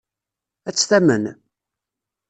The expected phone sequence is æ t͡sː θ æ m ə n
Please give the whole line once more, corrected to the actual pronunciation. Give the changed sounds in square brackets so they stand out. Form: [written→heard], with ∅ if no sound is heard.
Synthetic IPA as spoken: æ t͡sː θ æ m ə n